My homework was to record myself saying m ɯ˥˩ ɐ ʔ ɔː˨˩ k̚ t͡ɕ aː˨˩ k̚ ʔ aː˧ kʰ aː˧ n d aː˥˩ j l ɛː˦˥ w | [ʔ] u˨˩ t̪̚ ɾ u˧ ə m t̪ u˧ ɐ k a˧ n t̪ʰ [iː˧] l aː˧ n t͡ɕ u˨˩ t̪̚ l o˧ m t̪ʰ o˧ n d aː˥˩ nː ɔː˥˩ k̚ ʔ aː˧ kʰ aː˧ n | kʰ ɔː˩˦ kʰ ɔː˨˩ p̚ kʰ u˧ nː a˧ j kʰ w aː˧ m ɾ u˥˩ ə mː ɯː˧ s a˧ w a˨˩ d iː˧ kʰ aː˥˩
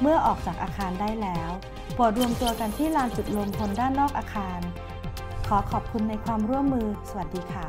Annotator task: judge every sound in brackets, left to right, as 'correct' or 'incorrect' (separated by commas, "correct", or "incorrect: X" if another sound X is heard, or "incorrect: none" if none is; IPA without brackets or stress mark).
incorrect: p, incorrect: iː˥˩